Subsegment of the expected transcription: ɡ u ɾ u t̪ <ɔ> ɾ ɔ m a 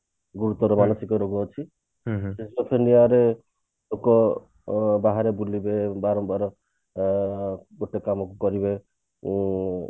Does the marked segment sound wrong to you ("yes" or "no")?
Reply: no